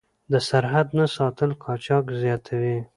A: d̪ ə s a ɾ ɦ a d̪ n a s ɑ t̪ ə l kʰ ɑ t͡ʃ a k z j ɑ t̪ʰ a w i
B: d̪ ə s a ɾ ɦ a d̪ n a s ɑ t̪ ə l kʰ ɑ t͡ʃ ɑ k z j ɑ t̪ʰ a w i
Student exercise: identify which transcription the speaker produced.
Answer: B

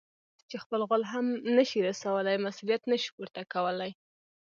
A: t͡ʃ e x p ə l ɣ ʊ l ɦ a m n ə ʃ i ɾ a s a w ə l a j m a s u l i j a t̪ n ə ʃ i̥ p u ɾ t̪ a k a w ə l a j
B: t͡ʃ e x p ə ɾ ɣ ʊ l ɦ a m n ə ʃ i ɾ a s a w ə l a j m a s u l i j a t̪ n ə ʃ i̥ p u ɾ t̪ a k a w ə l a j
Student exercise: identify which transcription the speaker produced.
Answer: A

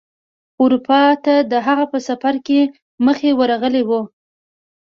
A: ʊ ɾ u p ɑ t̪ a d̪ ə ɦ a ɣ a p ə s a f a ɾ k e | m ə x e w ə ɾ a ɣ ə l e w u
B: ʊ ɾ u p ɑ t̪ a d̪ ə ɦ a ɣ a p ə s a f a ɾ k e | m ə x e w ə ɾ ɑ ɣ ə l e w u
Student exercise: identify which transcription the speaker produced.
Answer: A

